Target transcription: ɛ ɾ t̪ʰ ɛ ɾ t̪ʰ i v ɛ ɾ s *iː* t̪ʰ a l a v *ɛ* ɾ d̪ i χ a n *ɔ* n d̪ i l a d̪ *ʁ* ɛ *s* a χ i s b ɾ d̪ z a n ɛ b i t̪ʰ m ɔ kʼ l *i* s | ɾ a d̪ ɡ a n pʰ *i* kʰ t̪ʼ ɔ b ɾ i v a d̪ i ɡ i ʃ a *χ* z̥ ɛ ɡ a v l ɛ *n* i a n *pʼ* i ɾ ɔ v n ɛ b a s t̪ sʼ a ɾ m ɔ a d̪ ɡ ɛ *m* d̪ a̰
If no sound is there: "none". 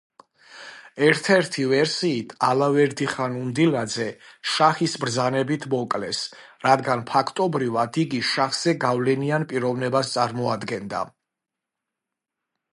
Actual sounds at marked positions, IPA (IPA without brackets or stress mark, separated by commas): iː, ɛ, u, z, ʃ, ɛ, a, χ, n, pʼ, n